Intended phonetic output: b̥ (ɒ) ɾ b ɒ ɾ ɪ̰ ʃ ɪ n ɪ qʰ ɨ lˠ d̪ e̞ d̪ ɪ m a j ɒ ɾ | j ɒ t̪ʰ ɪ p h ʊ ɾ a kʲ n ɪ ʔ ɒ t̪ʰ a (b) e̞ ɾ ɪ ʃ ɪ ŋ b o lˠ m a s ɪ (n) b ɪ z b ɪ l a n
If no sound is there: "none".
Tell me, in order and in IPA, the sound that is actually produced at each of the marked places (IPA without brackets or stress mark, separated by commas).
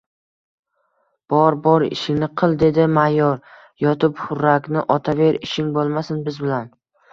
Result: ɒ, v, n